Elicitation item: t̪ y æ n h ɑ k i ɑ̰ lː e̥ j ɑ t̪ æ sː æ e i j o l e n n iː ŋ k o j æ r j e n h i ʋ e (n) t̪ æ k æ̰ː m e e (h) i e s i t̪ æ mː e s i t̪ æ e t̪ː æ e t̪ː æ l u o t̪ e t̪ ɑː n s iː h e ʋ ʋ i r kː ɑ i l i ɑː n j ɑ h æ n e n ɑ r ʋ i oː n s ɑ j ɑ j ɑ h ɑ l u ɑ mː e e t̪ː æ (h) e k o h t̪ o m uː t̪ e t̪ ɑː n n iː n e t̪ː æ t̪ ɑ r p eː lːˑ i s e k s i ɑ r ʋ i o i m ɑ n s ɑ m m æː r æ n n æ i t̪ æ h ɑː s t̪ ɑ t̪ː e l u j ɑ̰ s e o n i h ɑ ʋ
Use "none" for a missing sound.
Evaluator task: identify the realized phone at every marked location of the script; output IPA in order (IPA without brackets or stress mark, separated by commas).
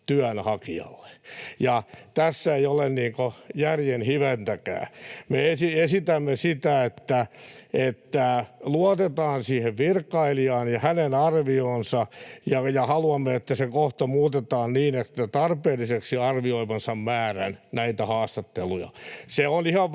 n, s, s